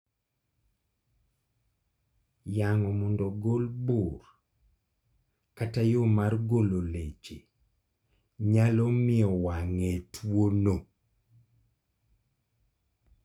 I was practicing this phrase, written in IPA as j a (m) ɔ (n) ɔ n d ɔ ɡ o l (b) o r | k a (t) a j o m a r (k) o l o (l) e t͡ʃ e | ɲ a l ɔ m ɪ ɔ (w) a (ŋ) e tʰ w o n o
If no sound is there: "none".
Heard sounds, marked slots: ŋ, m, b, t, ɡ, l, w, ŋ

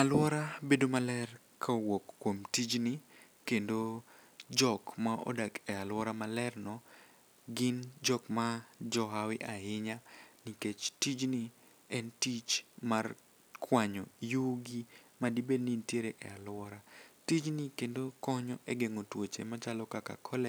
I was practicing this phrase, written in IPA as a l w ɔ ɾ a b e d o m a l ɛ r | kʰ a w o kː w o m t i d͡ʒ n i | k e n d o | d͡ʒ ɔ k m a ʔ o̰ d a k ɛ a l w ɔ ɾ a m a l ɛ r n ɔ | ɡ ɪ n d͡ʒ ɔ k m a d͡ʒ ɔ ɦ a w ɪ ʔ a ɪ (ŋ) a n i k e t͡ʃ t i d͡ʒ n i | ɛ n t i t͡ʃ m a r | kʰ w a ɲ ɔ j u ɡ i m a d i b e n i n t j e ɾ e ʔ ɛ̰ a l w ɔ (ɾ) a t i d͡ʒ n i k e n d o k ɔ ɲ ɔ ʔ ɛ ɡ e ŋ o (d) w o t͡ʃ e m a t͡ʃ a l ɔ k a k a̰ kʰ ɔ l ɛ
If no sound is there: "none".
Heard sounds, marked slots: ɲ, ɾ, t

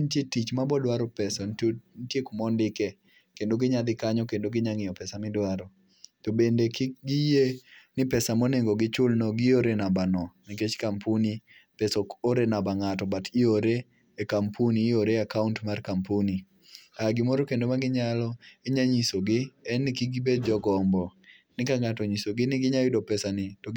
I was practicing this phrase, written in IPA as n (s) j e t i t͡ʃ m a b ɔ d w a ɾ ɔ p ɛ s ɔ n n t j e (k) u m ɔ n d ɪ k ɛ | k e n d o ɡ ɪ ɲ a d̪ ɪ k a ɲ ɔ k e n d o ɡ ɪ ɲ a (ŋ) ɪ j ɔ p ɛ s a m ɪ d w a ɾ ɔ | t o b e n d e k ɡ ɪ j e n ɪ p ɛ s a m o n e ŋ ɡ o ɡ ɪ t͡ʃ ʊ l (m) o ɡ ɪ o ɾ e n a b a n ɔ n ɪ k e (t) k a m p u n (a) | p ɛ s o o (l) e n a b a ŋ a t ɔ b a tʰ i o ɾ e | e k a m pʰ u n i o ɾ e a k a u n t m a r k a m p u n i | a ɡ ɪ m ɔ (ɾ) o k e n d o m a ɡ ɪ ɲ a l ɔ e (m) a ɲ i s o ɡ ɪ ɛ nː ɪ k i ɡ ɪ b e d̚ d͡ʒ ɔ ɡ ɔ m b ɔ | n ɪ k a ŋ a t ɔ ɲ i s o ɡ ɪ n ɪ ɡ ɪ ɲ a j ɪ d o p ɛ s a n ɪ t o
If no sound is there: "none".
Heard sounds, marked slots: t, k, ŋ, n, t͡ʃ, i, ɾ, ɾ, ɲ

